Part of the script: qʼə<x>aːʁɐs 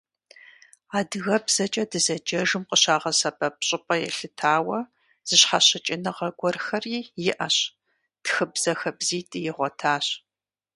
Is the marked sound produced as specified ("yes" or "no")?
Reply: no